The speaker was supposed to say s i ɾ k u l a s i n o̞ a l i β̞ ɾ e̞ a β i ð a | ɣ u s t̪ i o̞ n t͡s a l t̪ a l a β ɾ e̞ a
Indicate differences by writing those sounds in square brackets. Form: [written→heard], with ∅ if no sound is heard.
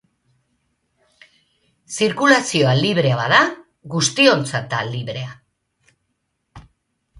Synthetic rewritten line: s i ɾ k u l a s i [n→∅] o̞ a l i β̞ ɾ e̞ a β [i→a] ð a | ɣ u s t̪ i o̞ n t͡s a [l→∅] t̪ a l [a→i] β ɾ e̞ a